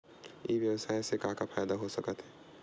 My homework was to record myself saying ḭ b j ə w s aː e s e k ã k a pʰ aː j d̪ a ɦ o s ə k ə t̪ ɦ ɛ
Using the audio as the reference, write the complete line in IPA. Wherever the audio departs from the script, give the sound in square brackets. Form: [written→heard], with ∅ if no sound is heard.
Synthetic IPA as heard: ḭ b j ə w s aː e s e k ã k a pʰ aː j d̪ a ɦ o s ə k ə t̪ ɦ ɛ